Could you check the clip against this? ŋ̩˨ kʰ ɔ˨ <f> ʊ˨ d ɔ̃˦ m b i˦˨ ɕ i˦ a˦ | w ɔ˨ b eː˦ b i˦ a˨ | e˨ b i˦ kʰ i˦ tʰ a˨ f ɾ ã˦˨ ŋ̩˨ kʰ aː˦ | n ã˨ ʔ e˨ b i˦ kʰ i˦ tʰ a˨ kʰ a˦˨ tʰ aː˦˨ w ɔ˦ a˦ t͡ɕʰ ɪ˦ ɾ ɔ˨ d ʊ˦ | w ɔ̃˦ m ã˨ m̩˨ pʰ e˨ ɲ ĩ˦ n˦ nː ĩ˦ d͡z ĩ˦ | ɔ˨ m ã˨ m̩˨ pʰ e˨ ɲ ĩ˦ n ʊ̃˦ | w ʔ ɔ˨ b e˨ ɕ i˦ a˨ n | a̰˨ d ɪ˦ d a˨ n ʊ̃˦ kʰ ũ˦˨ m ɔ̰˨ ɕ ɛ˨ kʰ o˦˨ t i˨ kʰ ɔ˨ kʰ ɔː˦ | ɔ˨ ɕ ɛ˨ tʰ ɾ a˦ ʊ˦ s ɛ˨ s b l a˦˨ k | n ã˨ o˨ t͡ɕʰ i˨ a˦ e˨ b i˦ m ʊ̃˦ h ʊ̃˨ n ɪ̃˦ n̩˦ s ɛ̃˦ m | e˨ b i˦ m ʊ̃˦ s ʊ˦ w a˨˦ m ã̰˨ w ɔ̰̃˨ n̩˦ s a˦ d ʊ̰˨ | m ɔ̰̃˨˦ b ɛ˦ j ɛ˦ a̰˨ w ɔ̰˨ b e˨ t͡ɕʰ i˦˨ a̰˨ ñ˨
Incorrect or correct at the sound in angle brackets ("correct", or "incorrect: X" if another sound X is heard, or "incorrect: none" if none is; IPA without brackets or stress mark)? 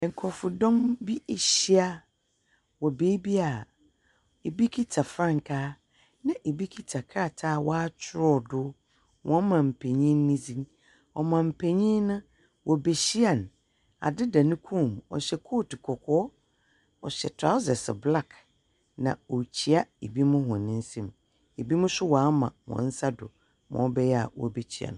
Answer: correct